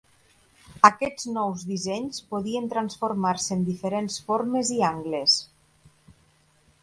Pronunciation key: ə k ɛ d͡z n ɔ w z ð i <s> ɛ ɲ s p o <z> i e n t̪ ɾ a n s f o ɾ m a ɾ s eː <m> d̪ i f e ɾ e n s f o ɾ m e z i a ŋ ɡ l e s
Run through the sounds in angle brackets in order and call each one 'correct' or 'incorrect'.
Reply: incorrect: z, incorrect: ð, incorrect: n

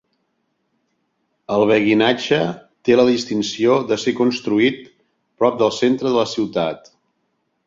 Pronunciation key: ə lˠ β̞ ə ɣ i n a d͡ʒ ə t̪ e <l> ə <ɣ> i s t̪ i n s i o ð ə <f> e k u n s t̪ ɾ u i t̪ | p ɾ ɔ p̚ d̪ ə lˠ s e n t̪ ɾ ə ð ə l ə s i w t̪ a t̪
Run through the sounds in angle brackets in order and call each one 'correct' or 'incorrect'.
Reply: correct, incorrect: ð, incorrect: s

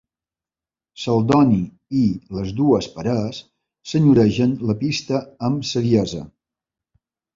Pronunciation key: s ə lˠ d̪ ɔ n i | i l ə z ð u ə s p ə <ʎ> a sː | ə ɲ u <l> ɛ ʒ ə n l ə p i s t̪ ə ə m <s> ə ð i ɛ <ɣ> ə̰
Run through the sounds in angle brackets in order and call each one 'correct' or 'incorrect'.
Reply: incorrect: ɾ, incorrect: ɾ, correct, incorrect: z

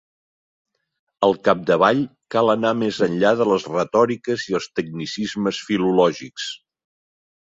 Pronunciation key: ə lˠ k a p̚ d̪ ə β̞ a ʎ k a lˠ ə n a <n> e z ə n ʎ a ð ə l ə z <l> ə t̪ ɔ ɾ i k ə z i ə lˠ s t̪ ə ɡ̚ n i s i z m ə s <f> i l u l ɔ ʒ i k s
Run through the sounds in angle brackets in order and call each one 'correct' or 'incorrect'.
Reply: incorrect: m, incorrect: r, correct

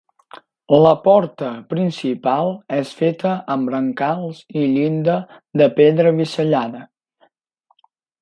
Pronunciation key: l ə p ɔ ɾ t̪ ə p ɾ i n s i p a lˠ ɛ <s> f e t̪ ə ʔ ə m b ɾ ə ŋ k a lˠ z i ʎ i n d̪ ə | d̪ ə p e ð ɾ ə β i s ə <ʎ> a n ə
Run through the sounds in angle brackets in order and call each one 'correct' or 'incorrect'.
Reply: correct, correct

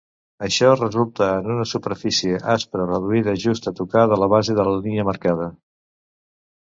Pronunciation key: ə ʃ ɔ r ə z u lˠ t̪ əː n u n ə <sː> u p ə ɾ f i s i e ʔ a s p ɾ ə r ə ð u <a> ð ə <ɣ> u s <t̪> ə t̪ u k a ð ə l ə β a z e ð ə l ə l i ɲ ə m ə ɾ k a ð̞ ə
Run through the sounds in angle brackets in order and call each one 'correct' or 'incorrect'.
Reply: incorrect: s, incorrect: i, incorrect: ʒ, correct

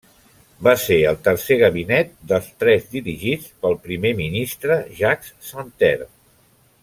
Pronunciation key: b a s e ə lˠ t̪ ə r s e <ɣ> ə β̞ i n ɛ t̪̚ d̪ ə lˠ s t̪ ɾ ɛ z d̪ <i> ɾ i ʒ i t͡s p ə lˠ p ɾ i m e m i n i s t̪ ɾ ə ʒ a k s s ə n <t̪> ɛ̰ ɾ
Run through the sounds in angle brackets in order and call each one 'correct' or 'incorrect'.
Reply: correct, correct, correct

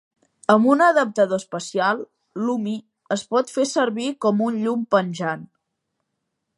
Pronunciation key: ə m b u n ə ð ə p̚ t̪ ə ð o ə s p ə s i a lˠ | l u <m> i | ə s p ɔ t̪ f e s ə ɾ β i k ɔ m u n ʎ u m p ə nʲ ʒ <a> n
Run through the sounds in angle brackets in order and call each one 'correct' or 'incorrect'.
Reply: correct, correct

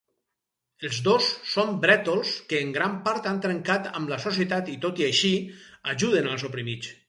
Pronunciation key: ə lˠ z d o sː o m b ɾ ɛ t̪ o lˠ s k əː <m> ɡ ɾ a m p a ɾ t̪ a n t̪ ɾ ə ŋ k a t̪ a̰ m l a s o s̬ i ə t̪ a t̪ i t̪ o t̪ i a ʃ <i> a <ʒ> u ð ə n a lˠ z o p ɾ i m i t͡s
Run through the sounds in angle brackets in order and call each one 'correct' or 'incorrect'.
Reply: incorrect: ŋ, correct, correct

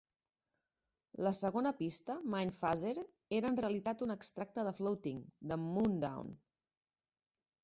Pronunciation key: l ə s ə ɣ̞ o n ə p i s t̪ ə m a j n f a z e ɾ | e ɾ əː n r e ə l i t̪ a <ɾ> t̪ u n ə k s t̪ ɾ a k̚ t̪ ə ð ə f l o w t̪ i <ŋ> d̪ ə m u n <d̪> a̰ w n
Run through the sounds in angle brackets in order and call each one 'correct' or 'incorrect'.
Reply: incorrect: none, correct, correct

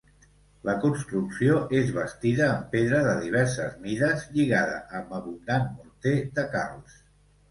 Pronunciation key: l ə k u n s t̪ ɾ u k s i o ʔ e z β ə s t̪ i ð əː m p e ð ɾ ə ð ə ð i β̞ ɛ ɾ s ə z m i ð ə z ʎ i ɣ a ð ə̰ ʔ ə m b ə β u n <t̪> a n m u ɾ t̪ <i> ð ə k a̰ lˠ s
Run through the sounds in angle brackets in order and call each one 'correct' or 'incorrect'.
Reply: incorrect: d̪, incorrect: e

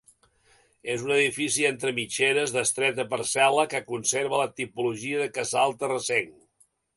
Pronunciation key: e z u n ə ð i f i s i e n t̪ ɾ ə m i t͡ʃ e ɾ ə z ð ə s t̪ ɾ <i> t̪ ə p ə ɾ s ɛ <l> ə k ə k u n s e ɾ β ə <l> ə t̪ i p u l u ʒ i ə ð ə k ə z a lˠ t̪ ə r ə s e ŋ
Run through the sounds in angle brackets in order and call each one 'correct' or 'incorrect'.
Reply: incorrect: ɛ, correct, correct

